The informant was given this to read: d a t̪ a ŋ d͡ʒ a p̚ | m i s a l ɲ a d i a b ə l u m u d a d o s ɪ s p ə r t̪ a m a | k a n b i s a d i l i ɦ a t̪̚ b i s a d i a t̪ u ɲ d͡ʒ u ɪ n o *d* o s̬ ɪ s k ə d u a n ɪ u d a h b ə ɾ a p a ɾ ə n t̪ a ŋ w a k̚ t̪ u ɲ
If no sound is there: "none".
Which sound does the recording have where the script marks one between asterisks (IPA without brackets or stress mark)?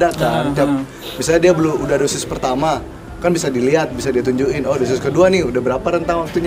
d